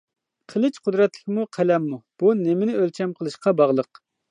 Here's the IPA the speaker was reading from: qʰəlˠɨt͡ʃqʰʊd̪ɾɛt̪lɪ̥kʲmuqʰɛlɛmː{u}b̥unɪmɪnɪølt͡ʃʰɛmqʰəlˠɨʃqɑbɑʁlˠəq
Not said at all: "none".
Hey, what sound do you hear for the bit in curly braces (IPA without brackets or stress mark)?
u